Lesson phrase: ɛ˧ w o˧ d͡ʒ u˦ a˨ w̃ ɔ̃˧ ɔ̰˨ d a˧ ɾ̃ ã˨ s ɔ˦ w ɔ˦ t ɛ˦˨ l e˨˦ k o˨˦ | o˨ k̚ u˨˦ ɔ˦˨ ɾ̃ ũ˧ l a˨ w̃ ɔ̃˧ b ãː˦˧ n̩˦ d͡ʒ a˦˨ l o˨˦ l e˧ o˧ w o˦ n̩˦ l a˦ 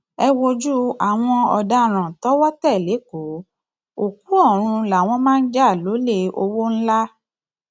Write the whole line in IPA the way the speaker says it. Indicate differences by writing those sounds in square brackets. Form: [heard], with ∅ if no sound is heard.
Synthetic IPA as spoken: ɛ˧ w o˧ d͡ʒ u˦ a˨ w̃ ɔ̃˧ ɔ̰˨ d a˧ ɾ̃ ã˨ [t] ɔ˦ w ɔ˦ t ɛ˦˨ l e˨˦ k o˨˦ | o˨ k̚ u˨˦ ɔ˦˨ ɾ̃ ũ˧ l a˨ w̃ ɔ̃˧ [m] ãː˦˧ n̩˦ d͡ʒ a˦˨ l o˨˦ l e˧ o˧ w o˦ n̩˦ l a˦

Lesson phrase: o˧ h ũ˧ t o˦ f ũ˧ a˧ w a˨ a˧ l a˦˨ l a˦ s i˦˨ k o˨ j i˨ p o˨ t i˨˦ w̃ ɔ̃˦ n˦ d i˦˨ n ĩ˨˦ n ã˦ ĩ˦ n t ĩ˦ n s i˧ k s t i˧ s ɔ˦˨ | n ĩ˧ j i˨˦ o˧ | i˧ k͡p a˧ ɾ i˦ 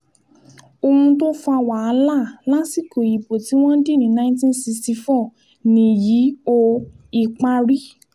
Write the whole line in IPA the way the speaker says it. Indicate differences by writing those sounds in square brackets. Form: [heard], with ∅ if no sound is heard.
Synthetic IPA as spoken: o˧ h ũ˧ t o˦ f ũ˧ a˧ w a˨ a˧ l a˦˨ l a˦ s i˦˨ k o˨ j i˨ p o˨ t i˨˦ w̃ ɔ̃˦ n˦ d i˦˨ n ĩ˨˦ n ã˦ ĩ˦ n t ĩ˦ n s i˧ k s t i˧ [f] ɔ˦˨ | n ĩ˧ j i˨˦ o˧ | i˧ k͡p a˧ ɾ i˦

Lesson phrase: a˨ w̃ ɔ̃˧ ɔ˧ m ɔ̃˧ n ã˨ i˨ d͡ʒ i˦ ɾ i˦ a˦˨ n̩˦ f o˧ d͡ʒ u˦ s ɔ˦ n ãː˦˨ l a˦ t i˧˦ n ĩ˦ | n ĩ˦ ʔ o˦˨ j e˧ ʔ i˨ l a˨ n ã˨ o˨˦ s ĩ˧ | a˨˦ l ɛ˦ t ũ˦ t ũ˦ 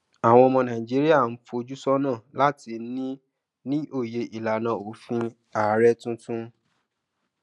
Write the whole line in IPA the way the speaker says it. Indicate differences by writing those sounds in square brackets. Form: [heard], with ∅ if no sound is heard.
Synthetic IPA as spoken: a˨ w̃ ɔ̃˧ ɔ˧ m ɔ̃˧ n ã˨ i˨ d͡ʒ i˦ ɾ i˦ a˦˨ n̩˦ f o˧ d͡ʒ u˦ s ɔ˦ n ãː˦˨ l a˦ t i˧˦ n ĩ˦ | n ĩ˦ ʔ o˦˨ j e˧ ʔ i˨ l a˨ n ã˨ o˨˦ [f] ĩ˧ | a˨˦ [ɾ] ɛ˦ t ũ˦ t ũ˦

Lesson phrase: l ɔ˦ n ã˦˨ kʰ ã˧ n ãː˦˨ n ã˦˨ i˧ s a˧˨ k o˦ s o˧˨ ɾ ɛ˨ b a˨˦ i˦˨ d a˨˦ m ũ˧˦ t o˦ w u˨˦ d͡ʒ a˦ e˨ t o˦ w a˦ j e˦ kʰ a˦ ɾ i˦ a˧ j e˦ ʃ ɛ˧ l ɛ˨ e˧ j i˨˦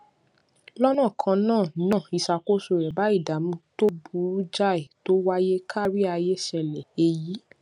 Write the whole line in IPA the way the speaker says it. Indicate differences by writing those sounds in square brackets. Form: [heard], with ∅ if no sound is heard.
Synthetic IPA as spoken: l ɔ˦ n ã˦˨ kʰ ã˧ n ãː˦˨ n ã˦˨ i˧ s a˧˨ k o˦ s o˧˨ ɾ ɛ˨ b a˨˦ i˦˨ d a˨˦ m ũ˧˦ t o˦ [b] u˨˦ d͡ʒ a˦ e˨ t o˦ w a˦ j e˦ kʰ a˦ ɾ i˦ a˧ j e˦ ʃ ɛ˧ l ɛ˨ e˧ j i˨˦

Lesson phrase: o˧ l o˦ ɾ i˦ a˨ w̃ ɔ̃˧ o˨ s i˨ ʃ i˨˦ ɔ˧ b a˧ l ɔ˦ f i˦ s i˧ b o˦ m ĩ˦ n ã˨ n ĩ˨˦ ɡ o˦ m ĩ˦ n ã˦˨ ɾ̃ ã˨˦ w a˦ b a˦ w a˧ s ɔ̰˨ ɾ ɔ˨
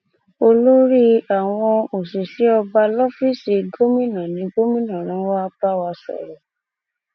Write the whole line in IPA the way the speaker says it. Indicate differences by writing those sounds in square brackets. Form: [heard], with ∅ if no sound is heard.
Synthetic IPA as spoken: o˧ l o˦ ɾ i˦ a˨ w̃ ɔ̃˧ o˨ s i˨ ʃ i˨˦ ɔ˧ b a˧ l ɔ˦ f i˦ s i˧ [ɡ] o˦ m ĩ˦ n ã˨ n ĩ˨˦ ɡ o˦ m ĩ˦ n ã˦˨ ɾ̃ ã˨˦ w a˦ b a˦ w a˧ s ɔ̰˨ ɾ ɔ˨

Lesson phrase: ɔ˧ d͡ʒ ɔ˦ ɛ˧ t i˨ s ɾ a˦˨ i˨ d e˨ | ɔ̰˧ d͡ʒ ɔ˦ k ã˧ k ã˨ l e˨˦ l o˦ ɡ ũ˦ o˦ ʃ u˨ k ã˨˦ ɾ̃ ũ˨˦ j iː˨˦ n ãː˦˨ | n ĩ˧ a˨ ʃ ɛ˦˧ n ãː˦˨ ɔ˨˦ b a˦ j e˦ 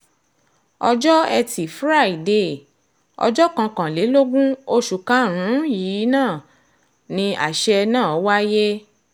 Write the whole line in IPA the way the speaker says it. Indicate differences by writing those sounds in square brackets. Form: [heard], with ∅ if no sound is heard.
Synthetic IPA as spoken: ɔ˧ d͡ʒ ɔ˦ ɛ˧ t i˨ [f] ɾ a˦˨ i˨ d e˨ | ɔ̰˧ d͡ʒ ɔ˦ k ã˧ k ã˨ l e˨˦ l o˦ ɡ ũ˦ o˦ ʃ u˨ k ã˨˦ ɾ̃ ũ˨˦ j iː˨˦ n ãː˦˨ | n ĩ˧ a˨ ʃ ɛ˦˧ n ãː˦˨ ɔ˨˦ [w] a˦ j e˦

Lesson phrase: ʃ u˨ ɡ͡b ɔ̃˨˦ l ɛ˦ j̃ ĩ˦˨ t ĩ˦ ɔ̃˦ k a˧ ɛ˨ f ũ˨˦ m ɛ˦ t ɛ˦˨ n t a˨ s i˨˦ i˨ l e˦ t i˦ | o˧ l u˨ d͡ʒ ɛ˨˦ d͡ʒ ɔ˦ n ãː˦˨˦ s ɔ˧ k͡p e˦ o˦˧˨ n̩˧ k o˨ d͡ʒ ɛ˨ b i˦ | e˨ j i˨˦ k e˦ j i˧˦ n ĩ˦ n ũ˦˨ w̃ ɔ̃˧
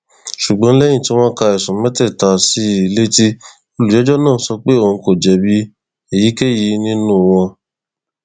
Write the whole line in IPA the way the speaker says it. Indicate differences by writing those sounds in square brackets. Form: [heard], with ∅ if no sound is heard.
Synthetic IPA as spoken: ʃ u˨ ɡ͡b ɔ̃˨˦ l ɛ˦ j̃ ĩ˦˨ t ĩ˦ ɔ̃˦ k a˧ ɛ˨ [s] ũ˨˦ m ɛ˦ t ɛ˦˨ [∅] t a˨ s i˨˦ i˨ l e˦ t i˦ | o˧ l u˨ d͡ʒ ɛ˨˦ d͡ʒ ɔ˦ n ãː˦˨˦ s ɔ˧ k͡p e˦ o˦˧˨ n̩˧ k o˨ d͡ʒ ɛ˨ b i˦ | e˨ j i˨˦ k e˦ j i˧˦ n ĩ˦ n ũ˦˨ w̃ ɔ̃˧

